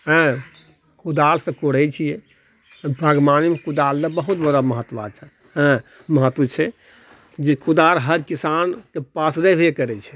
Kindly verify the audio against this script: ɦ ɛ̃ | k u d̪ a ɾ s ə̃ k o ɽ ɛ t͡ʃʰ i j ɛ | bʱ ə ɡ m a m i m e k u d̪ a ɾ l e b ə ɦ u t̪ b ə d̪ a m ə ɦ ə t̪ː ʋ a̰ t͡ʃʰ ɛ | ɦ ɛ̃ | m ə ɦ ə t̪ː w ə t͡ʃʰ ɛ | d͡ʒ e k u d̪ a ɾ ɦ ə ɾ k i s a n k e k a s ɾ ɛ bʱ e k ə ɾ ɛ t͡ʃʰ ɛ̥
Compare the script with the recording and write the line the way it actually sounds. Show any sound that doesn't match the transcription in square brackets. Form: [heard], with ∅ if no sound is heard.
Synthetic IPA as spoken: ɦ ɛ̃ | k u d̪ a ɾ s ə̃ k o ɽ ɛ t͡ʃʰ i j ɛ | bʱ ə ɡ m a [n] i m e k u d̪ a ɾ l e b ə ɦ u t̪ b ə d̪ a m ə ɦ ə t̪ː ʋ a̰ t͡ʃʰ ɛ | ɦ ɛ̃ | m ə ɦ ə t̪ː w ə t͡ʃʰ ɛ | d͡ʒ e k u d̪ a ɾ ɦ ə ɾ k i s a n k e [p] a s ɾ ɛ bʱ e k ə ɾ ɛ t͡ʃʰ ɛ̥